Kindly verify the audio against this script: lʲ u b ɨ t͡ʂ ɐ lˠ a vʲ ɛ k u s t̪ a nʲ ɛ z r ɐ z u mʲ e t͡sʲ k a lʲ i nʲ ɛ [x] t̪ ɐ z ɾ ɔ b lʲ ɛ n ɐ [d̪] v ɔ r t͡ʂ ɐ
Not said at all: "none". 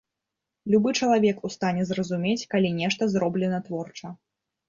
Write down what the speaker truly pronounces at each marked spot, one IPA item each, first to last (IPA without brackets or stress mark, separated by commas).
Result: ʂ, t̪